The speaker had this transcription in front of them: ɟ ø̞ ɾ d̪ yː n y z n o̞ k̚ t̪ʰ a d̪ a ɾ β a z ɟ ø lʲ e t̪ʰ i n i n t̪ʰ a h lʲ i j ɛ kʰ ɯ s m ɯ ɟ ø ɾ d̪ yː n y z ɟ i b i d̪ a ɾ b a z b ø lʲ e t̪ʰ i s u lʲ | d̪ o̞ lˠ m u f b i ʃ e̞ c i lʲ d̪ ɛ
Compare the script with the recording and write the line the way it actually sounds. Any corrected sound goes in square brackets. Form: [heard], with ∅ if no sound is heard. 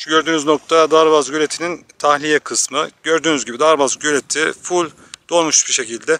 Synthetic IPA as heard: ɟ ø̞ ɾ d̪ yː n y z n o̞ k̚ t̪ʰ a d̪ a ɾ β a z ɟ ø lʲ e t̪ʰ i n i n t̪ʰ a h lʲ i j ɛ kʰ ɯ s m ɯ ɟ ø ɾ d̪ yː n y z ɟ i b i d̪ a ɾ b a z [ɟ] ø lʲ e t̪ʰ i [f] u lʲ | d̪ o̞ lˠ m u [ʃ] b i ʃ e̞ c i lʲ d̪ ɛ

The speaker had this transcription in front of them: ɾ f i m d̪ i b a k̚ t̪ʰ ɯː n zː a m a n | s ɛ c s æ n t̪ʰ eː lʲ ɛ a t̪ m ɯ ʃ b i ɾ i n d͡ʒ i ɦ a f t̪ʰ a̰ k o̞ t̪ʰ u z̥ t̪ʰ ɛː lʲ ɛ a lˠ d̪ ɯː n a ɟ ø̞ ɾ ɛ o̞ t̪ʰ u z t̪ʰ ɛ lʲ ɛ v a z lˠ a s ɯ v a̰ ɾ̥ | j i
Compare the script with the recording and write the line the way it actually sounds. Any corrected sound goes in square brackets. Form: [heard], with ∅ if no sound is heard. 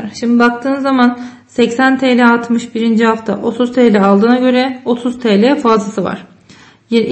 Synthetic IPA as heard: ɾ [ʃ] i m d̪ i b a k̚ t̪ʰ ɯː n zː a m a n | s ɛ c s æ n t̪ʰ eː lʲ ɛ a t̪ m ɯ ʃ b i ɾ i n d͡ʒ i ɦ a f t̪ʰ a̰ [ʔ] o̞ t̪ʰ u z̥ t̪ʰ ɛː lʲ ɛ a lˠ d̪ ɯː n a ɟ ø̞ ɾ ɛ o̞ t̪ʰ u z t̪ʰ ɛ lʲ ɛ [f] a z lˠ a s ɯ v a̰ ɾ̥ | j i

